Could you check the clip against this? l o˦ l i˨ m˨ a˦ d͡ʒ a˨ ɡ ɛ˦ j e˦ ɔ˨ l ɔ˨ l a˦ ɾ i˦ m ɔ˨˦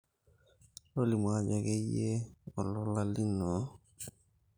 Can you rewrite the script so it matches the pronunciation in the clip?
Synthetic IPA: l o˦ l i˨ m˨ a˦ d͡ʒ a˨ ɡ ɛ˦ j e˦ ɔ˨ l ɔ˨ l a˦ l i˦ n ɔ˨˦

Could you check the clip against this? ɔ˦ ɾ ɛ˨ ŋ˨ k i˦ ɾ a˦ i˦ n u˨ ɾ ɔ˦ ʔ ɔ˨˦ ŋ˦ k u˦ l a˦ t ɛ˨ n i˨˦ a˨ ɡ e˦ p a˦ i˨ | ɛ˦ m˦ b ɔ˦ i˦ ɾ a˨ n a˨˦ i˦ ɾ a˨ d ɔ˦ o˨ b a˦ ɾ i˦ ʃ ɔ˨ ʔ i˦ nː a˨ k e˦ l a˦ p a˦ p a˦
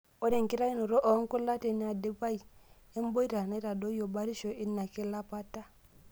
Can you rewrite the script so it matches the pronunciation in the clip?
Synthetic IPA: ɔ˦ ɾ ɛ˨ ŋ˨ k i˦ ɾ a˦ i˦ n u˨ ɾ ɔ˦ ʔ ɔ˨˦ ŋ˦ k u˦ l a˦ t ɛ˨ n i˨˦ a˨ d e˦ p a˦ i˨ | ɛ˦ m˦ b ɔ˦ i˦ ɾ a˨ n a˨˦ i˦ ɾ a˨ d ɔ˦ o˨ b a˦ ɾ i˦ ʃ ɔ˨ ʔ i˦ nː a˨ k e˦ l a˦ p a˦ t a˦

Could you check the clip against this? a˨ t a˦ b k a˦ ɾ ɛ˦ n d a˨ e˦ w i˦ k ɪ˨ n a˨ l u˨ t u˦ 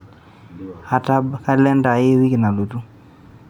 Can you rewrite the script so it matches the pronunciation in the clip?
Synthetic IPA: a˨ t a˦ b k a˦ l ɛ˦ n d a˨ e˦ w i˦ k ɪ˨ n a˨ l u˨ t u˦

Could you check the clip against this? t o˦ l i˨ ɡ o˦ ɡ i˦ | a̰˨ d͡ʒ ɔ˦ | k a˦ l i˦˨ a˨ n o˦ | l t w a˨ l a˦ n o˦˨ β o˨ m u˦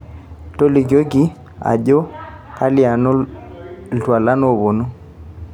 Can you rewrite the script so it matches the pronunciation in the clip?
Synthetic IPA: t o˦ l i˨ ɡ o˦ ɡ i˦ | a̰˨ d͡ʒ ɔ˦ | k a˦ l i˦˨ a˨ n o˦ | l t w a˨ l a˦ n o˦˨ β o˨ n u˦

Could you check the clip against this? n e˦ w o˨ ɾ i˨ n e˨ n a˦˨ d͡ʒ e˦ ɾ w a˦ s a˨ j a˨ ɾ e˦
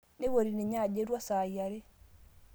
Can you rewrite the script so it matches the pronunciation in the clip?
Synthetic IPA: n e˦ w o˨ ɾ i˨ n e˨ ɲ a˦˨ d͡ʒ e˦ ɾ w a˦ s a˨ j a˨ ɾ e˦

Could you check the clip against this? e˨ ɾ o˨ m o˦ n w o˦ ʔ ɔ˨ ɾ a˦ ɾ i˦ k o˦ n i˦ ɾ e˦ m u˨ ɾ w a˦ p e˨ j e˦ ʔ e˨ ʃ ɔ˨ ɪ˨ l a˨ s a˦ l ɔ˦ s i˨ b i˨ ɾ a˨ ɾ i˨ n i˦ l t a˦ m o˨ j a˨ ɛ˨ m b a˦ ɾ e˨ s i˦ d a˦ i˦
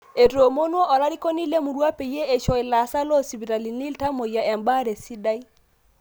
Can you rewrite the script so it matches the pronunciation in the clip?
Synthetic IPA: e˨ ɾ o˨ m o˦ n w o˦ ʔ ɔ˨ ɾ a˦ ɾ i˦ k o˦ n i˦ l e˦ m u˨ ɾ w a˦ p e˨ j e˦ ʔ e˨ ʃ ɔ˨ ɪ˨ l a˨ s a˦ l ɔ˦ s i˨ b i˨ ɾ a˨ l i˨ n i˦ l t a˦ m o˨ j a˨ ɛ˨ m b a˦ ɾ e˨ s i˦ d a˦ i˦

